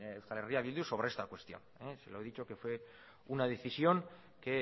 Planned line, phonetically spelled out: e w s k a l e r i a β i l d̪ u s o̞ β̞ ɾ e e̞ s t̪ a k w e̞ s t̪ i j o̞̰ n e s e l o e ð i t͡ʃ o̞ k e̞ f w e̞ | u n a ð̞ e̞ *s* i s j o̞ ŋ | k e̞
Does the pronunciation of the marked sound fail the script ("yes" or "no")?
yes